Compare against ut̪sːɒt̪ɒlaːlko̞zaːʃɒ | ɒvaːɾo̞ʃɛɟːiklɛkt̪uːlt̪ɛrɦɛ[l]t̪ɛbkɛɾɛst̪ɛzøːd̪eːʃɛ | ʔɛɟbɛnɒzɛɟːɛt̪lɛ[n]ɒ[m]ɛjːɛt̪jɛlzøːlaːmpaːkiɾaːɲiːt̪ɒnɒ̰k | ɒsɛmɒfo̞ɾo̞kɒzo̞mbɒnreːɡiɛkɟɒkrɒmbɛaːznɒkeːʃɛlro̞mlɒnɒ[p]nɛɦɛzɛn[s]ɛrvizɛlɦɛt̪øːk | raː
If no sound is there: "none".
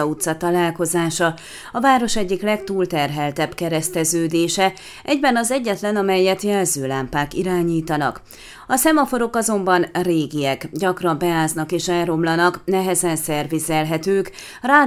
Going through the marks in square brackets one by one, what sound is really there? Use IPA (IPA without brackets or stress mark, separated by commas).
l, n, m, k, s